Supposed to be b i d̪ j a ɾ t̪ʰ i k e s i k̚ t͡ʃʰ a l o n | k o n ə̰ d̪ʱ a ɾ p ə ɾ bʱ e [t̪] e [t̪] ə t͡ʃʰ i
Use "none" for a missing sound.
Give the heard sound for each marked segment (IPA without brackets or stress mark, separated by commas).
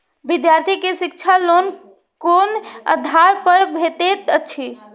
t̪, t̪